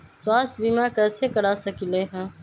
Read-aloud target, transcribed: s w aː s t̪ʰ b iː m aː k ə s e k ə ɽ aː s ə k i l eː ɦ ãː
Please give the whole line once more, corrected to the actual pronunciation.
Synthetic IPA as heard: s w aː s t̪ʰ b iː m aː k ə s e k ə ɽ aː s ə k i l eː ɦ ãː